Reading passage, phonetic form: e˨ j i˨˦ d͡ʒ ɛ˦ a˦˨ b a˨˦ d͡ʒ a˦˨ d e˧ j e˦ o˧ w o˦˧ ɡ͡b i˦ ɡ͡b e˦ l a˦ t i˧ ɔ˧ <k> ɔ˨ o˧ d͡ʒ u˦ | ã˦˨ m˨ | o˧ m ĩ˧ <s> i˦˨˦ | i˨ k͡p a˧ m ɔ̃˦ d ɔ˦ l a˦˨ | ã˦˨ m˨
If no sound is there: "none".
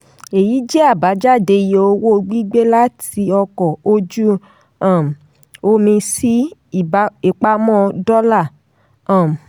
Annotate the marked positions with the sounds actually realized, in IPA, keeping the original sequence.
k, s

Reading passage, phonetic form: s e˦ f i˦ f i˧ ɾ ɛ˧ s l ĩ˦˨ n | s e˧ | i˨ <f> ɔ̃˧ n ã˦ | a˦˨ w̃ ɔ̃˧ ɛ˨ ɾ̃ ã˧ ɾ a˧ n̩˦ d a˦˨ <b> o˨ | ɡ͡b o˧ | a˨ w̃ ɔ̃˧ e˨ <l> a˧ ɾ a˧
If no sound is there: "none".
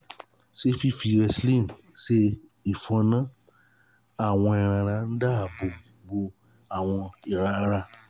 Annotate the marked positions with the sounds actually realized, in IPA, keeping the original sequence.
f, b, ɾ

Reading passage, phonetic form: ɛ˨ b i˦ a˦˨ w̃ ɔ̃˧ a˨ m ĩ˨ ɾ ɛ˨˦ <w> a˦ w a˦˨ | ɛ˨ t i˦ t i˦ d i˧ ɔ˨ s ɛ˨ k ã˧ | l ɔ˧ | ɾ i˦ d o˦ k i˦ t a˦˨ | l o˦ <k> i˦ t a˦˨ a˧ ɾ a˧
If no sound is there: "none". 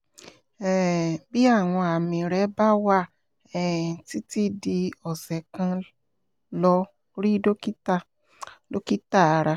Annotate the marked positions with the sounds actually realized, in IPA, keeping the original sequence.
b, k

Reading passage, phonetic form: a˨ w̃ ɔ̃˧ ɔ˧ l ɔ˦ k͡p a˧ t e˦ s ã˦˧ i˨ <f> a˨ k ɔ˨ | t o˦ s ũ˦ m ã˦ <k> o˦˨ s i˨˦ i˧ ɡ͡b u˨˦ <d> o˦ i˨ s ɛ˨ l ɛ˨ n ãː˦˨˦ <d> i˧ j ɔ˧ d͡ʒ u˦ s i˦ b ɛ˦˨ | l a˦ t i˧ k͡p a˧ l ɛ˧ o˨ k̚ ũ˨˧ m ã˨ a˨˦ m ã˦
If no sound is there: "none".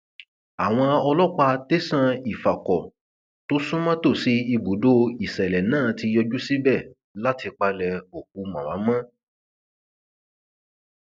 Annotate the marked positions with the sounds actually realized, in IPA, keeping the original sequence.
f, t, d, t

